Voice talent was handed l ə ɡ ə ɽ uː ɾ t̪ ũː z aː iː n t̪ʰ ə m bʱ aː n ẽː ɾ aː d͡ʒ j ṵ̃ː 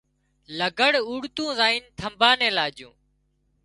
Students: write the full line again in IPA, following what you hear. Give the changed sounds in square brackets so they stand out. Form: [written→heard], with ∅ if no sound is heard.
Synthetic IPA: l ə ɡ ə ɽ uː [ɾ→ɽ] t̪ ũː z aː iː n t̪ʰ ə m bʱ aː n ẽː [ɾ→l] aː d͡ʒ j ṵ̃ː